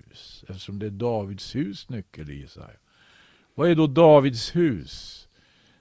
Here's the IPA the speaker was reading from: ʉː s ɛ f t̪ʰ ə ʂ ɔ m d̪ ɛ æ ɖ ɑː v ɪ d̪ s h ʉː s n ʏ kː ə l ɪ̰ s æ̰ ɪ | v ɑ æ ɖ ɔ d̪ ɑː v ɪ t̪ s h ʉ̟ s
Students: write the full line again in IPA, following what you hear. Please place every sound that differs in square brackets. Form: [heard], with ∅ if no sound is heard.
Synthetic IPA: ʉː s ɛ f [t̪] ə ʂ ɔ m d̪ ɛ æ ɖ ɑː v ɪ d̪ s h ʉː s n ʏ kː ə l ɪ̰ s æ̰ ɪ | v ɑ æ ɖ ɔ d̪ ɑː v ɪ [d̪] s h [ʉ̟ː] s